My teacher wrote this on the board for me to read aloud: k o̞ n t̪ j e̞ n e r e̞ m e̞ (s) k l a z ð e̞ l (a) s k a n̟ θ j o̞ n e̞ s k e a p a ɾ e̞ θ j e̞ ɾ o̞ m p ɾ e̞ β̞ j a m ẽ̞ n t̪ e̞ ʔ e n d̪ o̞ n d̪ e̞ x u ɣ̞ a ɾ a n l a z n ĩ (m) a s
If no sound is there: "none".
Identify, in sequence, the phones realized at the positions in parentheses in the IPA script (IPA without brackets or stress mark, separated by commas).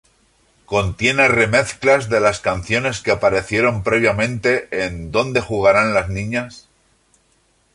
θ, a, ɲ